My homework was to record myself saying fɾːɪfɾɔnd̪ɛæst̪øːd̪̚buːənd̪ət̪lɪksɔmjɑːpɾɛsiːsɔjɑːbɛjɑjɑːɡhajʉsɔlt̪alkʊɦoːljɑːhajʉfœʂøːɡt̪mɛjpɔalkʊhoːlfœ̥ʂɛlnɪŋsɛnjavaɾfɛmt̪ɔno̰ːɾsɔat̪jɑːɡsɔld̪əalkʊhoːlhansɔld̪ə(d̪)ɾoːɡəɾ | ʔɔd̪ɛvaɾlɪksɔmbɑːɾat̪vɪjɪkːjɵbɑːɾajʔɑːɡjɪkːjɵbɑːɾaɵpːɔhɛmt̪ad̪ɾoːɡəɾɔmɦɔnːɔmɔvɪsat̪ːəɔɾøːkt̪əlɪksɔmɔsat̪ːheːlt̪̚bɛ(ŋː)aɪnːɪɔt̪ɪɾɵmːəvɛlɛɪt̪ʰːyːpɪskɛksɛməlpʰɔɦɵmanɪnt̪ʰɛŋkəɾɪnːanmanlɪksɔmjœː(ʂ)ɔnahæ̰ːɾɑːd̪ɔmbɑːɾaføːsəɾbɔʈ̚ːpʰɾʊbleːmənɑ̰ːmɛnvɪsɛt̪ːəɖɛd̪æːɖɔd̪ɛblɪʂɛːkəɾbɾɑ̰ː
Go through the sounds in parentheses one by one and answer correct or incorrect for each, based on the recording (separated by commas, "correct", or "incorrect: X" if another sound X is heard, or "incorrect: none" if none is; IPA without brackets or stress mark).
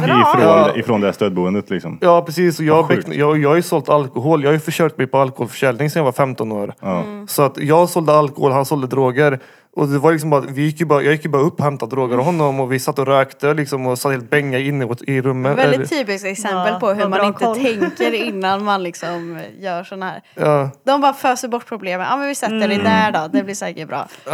correct, correct, correct